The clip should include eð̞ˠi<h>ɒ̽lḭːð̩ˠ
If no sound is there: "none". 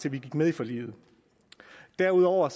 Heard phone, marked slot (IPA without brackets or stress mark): f